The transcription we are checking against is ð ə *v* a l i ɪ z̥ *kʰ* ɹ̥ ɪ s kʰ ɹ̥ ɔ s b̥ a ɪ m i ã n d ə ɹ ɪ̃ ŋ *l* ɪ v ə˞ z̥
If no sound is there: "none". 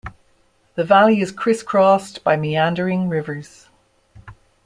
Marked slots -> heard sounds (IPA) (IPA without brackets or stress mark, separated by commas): v, kʰ, ɹ